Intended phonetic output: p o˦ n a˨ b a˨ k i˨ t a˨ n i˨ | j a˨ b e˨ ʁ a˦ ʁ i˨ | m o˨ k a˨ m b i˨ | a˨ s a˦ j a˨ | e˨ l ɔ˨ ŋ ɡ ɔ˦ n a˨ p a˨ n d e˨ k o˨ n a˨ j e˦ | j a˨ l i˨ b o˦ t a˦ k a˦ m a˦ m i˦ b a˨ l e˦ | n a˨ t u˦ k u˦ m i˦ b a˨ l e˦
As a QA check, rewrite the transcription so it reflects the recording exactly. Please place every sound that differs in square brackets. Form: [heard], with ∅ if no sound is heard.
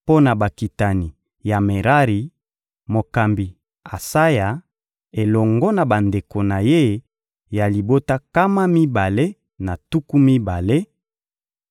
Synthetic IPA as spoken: p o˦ n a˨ b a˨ k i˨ t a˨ n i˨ | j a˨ [m] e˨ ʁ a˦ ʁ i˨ | m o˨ k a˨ m b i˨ | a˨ s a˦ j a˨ | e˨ l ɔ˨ ŋ ɡ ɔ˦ n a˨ [b] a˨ n d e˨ k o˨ n a˨ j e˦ | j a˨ l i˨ b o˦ t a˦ k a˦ m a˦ m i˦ b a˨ l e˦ | n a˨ t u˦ k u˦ m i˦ b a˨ l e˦